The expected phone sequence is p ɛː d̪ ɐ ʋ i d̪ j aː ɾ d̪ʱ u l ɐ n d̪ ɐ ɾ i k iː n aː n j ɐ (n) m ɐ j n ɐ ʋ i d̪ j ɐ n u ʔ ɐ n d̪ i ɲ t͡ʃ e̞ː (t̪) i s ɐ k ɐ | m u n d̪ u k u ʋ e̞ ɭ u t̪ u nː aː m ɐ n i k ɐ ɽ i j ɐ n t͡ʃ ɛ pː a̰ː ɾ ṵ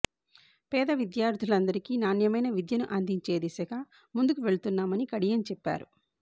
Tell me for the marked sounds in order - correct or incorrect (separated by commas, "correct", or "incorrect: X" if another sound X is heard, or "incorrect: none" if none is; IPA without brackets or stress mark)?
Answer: incorrect: none, incorrect: d̪